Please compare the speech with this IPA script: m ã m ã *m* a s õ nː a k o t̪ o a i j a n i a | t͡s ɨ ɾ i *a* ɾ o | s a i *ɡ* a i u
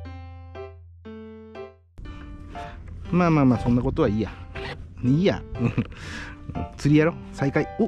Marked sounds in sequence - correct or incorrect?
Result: correct, correct, incorrect

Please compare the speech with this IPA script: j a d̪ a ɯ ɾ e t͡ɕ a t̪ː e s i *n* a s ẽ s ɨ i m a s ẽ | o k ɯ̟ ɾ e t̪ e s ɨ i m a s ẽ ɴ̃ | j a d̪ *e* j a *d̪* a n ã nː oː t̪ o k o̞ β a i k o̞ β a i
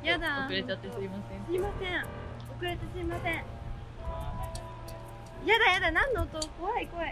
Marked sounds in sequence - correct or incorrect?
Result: incorrect, incorrect, correct

